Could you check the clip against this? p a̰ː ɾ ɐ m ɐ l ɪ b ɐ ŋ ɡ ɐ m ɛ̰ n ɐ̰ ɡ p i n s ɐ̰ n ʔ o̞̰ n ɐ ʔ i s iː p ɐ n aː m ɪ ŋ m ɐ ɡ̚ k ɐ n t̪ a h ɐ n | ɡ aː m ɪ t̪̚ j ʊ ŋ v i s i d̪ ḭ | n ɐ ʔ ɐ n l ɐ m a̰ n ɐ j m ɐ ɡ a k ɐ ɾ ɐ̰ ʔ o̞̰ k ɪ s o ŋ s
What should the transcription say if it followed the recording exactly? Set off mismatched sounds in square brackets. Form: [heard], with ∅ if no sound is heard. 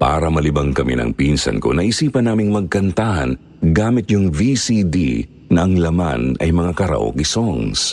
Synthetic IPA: p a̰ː ɾ ɐ m ɐ l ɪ b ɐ ŋ [k] ɐ m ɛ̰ n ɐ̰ [ŋ] p i n s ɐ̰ n [k] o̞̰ n ɐ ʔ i s iː p ɐ n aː m ɪ ŋ m ɐ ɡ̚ k ɐ n t̪ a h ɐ n | ɡ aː m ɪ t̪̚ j ʊ ŋ v i s i d̪ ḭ | n ɐ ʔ ɐ [ŋ] l ɐ m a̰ n ɐ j m ɐ [ŋ] a k ɐ ɾ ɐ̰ ʔ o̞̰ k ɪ s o ŋ s